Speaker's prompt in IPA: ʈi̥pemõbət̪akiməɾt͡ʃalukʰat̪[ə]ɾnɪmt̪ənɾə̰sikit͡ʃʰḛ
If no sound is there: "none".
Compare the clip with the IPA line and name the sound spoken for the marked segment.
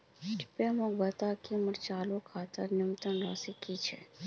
ə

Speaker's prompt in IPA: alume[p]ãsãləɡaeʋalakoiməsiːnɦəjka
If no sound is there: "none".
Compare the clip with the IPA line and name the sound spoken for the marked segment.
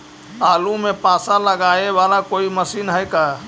p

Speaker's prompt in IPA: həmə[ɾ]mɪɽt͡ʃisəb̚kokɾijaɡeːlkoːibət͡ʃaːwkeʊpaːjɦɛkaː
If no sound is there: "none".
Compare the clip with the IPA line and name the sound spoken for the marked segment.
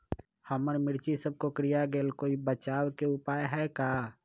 ɾ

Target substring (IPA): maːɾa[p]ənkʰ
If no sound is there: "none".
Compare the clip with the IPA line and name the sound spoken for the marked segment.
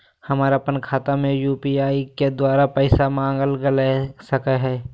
p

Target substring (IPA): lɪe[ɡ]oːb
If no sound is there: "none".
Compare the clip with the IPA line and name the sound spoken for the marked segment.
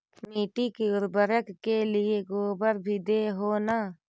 ɡ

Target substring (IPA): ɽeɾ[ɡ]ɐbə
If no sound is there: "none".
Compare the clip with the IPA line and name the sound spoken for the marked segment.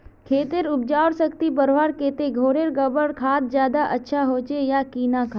ɡ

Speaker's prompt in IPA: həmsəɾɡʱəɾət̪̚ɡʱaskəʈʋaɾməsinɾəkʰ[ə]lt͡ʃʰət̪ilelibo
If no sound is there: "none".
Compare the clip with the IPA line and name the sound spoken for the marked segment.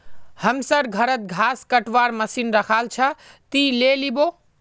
a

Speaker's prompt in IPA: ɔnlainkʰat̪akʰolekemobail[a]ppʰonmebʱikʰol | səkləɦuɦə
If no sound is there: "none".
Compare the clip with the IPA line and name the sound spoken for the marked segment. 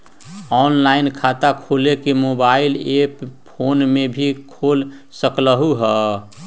e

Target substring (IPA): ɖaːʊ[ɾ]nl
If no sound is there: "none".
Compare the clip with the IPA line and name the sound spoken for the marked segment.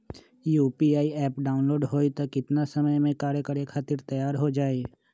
none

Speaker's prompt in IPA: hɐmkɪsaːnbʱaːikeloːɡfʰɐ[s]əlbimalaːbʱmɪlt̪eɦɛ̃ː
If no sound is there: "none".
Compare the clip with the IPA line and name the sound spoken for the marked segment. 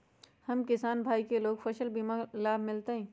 ʃ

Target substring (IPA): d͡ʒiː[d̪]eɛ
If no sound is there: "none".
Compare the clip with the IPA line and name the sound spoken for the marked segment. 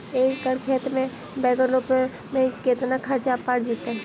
t̪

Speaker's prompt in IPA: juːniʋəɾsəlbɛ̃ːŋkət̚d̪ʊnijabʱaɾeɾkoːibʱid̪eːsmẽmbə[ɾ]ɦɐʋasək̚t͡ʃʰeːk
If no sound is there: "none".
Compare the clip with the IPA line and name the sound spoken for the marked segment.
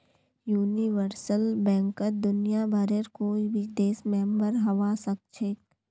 ɾ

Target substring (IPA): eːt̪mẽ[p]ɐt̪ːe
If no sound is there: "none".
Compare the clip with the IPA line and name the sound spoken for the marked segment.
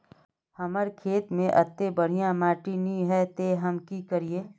ʔ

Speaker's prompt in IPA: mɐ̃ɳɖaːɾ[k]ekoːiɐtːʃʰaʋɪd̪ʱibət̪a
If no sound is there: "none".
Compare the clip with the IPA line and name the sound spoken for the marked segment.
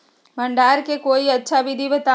k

